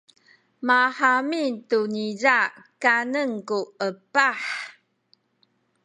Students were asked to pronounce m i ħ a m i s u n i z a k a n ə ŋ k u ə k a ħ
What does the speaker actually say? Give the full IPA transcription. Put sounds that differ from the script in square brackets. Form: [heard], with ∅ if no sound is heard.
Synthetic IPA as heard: m [a] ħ a m i [t] u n i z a k a n ə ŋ k u ə [p] a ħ